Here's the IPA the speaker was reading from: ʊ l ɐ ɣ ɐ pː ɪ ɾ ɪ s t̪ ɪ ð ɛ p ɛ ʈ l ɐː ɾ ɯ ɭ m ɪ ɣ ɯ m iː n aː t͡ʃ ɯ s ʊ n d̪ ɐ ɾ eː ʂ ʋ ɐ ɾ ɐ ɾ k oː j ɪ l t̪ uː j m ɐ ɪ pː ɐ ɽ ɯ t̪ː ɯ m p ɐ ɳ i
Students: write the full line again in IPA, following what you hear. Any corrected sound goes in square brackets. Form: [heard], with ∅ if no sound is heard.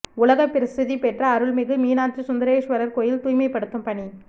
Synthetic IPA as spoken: ʊ l ɐ ɣ ɐ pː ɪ ɾ ɪ s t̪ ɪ ð [i] p ɛ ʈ [r] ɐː ɾ ɯ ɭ m ɪ ɣ ɯ m iː n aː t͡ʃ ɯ s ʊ n d̪ ɐ ɾ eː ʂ ʋ ɐ ɾ ɐ ɾ k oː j ɪ l t̪ uː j m ɐ ɪ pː ɐ ɽ ɯ t̪ː ɯ m p ɐ ɳ i

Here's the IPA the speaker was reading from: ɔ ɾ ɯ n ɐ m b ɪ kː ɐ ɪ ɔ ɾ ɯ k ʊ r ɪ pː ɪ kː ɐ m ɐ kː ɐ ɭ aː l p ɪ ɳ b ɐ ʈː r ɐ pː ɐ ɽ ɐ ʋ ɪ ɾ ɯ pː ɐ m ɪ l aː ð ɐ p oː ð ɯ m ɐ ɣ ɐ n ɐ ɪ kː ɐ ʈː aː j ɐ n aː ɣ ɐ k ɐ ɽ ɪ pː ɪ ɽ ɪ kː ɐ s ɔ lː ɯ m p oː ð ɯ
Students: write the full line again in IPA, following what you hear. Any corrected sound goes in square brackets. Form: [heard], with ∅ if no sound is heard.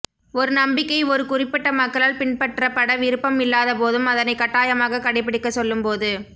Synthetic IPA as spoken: ɔ ɾ ɯ n ɐ m b ɪ kː ɐ ɪ ɔ ɾ ɯ k ʊ r ɪ pː ɪ [ʈː] ɐ m ɐ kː ɐ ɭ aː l p ɪ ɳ [p] ɐ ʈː r ɐ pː ɐ ɽ ɐ ʋ ɪ ɾ ɯ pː ɐ m ɪ [lː] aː ð ɐ p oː ð ɯ m ɐ [ð] ɐ n ɐ ɪ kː ɐ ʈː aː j ɐ [m] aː ɣ ɐ k ɐ ɽ ɪ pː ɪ ɽ ɪ kː ɐ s ɔ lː ɯ m p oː ð ɯ

